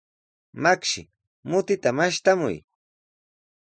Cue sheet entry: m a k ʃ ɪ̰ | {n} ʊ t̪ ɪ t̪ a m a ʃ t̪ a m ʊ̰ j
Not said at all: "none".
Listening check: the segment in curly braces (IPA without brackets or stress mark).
m